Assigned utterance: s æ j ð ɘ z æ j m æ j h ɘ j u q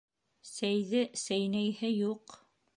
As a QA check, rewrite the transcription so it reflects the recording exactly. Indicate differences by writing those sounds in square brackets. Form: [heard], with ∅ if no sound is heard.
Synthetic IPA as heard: s æ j ð ɘ [s] æ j [n] æ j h ɘ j u q